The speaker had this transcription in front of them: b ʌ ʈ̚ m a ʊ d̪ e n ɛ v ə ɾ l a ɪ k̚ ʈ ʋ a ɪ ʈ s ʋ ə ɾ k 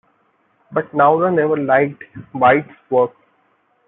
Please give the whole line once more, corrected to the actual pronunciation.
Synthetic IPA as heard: b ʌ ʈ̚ n a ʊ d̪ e n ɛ ʋ ə ɾ l a ɪ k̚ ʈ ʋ a ɪ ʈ s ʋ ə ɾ k